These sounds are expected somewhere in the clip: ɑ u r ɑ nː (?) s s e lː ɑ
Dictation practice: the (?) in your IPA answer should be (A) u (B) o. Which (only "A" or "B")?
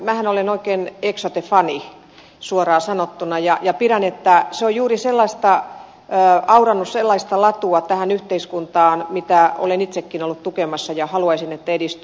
A